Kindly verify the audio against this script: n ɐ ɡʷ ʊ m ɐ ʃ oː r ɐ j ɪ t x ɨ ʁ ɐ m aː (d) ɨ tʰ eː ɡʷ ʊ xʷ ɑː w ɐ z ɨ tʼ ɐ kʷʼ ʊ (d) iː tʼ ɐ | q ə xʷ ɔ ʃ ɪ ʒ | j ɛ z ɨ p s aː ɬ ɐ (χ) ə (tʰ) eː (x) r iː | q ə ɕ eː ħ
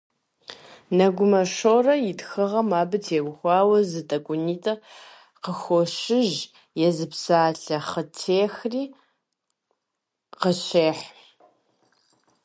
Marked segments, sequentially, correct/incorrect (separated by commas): incorrect, incorrect, correct, correct, correct